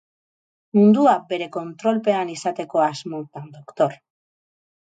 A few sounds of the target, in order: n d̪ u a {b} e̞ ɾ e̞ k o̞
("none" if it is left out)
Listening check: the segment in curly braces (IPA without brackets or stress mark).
b